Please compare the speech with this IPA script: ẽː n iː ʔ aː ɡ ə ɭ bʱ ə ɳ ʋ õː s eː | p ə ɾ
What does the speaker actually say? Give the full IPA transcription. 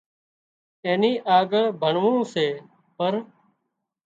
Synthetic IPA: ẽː n iː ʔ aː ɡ ə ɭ bʱ ə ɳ ʋ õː s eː | p ə ɾ